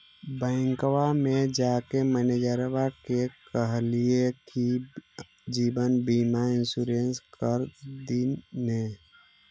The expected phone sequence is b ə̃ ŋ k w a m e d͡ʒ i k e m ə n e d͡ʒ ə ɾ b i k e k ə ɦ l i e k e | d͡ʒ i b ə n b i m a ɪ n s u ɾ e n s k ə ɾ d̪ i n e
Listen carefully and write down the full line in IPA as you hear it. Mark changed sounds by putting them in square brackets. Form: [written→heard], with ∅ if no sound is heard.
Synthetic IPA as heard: b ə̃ ŋ k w a m e d͡ʒ [i→a] k e m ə n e d͡ʒ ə ɾ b [i→a] k e k ə ɦ l i e k [e→i] | d͡ʒ i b ə n b i m a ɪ n s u ɾ e n s k ə ɾ d̪ i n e

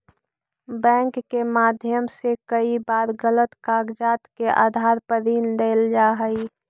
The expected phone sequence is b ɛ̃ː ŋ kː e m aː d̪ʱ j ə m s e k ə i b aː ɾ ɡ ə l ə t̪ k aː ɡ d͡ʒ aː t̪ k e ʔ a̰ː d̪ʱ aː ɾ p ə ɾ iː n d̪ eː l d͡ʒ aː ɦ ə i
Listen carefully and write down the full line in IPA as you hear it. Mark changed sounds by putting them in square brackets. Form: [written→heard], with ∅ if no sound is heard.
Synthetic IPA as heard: b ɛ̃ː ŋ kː e m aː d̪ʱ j ə m s e k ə i b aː ɾ ɡ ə l ə t̪ k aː ɡ d͡ʒ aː t̪ k e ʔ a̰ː d̪ʱ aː ɾ p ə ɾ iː n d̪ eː l d͡ʒ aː ɦ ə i

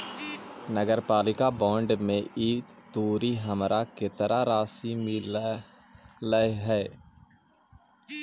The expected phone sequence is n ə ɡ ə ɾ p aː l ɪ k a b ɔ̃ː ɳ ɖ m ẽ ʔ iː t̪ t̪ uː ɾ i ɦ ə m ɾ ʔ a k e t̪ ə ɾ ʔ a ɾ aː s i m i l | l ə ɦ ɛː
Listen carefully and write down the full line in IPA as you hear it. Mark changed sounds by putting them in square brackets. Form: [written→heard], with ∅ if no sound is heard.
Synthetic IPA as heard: n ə ɡ ə ɾ p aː l ɪ k a b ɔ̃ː ɳ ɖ m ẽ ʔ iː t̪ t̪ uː ɾ i ɦ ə m ɾ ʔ a k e t̪ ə ɾ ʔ a ɾ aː s i m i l | l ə ɦ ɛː

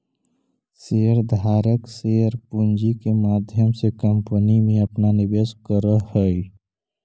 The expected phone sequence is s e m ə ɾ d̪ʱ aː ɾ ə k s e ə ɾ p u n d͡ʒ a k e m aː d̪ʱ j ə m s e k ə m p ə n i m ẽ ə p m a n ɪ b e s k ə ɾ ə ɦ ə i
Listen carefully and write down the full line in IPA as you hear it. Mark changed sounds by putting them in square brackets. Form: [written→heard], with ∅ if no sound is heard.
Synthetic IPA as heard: s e [m→∅] ə ɾ d̪ʱ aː ɾ ə k s e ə ɾ p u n d͡ʒ [a→i] k e m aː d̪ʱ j ə m s e k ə m p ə n i m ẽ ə p [m→n] a n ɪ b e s k ə ɾ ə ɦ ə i

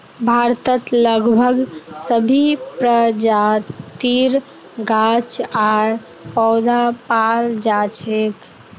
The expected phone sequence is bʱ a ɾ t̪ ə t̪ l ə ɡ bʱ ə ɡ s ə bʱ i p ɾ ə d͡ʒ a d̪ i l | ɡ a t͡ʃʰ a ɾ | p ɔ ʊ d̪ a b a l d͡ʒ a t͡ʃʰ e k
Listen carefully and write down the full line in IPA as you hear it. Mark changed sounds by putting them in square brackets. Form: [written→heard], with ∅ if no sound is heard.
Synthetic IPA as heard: bʱ a ɾ t̪ ə t̪ l ə ɡ bʱ ə ɡ s ə bʱ i p ɾ ə d͡ʒ a [d̪→t̪] i [l→ɾ] | ɡ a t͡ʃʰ a ɾ | p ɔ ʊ d̪ a [b→p] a l d͡ʒ a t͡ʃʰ e k

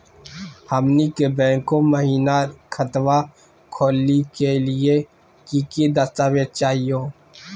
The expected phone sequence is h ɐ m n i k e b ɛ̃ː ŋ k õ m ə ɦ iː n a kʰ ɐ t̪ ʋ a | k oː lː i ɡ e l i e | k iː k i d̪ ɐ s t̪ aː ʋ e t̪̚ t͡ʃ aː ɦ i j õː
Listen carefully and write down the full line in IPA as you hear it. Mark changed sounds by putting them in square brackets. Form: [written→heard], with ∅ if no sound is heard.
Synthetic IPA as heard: h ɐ m n i k e b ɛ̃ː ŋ k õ m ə ɦ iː n a kʰ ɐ t̪ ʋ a | [k→kʰ] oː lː i [ɡ→k] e l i e | k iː k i d̪ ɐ s t̪ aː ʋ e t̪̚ t͡ʃ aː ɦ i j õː

